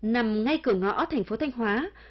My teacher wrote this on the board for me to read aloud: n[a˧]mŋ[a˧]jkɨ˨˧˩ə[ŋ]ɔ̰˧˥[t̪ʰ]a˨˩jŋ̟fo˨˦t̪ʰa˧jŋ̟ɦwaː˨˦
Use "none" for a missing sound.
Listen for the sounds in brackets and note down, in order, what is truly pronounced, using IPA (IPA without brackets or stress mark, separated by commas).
a˨˩, a˧, ŋ, t̪ʰ